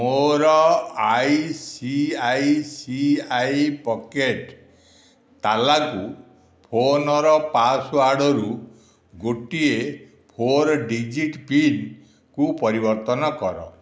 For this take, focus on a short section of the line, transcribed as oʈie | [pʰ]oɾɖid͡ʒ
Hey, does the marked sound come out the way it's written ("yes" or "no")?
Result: yes